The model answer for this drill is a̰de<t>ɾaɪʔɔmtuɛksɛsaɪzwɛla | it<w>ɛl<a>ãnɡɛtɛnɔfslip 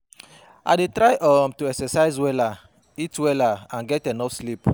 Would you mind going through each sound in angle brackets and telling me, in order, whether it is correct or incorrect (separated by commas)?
correct, correct, correct